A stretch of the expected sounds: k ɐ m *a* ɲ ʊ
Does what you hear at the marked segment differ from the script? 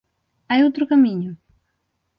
yes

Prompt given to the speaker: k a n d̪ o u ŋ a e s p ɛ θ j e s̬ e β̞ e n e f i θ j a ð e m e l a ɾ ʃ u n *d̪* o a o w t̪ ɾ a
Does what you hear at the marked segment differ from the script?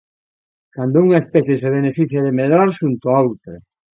yes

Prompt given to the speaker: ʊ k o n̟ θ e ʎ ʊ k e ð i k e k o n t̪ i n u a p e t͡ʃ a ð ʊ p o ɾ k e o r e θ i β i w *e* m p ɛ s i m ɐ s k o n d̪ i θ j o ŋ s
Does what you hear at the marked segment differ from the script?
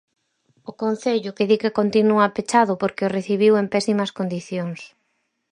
no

